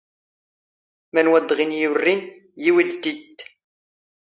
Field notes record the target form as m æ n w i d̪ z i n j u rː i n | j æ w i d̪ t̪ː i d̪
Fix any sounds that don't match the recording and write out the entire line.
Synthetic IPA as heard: m æ n w æ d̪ ʁ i n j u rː i n | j i w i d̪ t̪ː i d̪